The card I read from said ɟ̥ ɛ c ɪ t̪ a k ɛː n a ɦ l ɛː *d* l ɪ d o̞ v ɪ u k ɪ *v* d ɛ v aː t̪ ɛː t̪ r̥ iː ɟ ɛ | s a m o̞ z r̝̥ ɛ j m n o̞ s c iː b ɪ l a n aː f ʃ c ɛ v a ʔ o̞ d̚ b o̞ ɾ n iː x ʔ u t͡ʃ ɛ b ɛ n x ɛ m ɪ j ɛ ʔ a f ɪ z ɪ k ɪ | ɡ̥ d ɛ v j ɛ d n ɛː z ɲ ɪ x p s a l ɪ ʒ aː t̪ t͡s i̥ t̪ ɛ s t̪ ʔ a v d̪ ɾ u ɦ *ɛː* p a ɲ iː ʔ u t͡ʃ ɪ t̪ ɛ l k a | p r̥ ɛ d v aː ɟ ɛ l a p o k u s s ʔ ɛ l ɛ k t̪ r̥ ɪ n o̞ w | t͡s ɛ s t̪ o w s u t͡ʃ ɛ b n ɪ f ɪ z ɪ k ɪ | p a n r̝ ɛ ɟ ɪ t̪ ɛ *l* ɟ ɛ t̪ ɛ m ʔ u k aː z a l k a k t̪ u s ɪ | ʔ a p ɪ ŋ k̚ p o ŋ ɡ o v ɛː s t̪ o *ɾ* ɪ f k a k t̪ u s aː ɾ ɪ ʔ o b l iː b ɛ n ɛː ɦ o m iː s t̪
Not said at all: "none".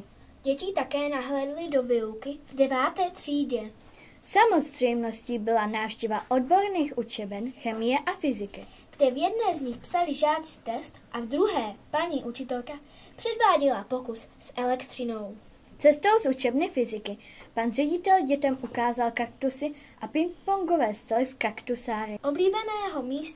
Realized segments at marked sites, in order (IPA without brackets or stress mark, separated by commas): d, v, ɛː, l, l